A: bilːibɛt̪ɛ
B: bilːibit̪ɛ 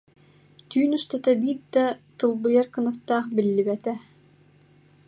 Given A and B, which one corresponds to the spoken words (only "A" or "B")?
A